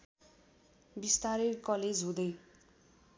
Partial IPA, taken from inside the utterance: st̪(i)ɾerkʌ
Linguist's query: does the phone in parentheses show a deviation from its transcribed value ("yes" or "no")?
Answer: yes